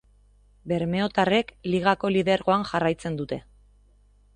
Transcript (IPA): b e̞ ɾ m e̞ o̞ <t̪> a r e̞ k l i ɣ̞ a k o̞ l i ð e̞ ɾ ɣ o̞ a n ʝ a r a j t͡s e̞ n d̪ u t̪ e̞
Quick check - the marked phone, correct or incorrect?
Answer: correct